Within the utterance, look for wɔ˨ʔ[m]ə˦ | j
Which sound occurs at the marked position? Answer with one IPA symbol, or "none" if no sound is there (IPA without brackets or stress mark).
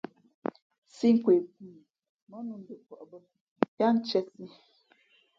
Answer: b